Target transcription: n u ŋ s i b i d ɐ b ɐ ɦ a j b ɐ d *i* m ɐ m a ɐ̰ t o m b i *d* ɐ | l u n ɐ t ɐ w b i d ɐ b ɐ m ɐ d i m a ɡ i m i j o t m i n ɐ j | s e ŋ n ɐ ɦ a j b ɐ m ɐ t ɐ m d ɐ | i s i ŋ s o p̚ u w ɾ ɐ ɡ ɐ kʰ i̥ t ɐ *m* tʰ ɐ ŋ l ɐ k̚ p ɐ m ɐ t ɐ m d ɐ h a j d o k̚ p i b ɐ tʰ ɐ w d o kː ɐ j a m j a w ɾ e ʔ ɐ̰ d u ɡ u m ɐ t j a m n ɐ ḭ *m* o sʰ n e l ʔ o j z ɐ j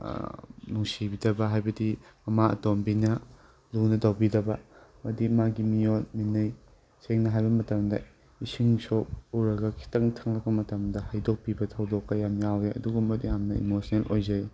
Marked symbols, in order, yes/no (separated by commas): yes, no, no, yes